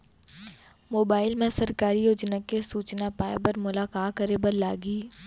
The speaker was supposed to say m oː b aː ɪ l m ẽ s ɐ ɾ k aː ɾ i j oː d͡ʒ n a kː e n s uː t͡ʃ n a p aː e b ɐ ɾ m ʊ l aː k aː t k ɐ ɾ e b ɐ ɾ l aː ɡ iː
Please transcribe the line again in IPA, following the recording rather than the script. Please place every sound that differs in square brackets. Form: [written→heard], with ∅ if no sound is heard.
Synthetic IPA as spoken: m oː b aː ɪ l m ẽ s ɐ ɾ k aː ɾ i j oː d͡ʒ n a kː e [n→∅] s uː t͡ʃ n a p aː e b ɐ ɾ m ʊ l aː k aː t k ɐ ɾ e b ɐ ɾ l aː ɡ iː

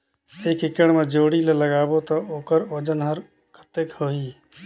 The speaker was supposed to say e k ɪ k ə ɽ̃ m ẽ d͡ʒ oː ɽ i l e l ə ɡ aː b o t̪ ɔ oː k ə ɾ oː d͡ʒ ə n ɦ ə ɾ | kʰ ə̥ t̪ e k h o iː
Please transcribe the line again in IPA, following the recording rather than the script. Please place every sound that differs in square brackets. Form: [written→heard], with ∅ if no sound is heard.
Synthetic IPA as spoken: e k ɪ k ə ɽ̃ m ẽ d͡ʒ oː ɽ i l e l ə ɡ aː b o t̪ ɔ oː k ə ɾ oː d͡ʒ ə n ɦ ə ɾ | kʰ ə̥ t̪ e k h o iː

